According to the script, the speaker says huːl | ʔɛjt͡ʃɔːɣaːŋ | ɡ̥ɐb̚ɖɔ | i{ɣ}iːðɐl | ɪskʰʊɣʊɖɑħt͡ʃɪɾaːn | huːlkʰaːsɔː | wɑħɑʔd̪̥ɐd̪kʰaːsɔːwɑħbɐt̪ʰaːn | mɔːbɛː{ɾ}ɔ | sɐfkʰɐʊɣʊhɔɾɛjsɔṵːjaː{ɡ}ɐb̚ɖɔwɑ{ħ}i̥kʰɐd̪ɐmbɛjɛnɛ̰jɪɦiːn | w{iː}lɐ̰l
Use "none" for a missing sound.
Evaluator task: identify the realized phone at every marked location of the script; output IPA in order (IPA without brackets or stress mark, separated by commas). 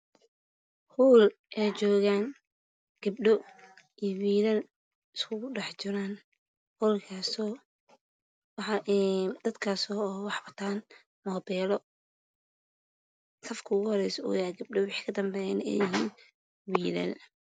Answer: w, l, ɡ, ħ, iː